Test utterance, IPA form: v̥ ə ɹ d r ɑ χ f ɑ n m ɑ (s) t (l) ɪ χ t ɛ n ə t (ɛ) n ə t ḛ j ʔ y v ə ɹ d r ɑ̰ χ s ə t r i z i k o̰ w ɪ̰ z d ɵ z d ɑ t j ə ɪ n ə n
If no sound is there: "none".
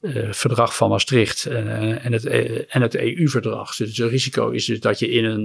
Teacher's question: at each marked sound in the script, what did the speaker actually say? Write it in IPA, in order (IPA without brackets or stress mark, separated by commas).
s, r, ɛ